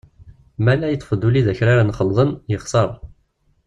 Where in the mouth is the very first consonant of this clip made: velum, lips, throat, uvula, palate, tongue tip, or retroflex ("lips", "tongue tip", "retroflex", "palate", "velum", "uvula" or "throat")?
lips